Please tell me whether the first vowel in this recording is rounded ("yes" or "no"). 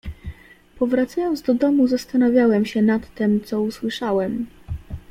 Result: yes